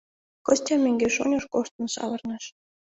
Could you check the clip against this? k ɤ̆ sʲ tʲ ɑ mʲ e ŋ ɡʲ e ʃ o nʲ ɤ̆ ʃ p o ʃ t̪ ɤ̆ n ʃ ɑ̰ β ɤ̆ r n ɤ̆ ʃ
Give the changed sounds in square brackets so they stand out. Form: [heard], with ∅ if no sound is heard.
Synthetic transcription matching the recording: k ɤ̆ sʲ tʲ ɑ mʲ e ŋ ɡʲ e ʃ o nʲ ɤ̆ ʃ [k] o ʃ t̪ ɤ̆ n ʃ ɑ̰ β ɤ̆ r n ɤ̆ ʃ